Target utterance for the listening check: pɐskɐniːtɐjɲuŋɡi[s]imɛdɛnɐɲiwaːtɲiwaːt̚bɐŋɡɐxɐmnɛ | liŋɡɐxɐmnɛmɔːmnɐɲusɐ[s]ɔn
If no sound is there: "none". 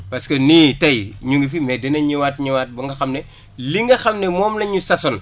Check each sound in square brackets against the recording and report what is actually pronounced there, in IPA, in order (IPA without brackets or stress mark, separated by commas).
f, s